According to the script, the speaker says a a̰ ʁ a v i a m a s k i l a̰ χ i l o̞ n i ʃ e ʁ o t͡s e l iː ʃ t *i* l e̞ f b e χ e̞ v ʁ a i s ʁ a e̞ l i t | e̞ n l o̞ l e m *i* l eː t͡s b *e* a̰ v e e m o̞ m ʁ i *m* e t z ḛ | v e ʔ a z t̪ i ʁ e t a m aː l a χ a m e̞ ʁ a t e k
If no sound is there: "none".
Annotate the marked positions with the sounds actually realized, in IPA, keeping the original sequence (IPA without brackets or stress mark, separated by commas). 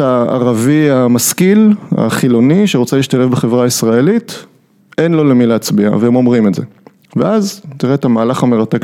a, i, i, m